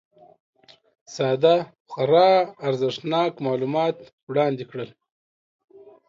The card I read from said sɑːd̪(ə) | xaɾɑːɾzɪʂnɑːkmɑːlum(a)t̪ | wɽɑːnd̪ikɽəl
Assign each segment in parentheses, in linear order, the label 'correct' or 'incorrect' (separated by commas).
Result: incorrect, incorrect